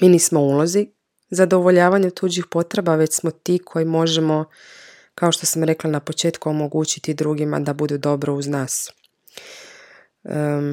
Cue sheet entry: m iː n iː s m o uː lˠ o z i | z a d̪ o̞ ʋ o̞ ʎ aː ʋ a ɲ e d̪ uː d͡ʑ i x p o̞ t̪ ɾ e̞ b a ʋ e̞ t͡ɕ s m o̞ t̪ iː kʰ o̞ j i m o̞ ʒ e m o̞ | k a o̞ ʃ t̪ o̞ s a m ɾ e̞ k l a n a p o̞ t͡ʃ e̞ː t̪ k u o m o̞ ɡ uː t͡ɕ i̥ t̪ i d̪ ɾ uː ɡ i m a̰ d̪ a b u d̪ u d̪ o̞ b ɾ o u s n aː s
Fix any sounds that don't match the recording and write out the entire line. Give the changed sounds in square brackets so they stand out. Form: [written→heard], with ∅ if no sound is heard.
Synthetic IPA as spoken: m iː n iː s m o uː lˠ o z i | z a d̪ o̞ ʋ o̞ ʎ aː ʋ a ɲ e [d̪→t̪] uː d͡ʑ i x p o̞ t̪ ɾ e̞ b a ʋ e̞ t͡ɕ s m o̞ t̪ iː kʰ o̞ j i m o̞ ʒ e m o̞ | k a o̞ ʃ t̪ o̞ s a m ɾ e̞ k l a n a p o̞ t͡ʃ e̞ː t̪ k u o m o̞ ɡ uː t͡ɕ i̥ t̪ i d̪ ɾ uː ɡ i m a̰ d̪ a b u d̪ u d̪ o̞ b ɾ o u [s→z] n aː s